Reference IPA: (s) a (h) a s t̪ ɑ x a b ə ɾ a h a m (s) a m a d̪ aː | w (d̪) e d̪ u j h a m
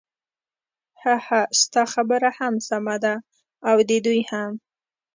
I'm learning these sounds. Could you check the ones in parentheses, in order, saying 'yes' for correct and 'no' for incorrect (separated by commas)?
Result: no, yes, yes, yes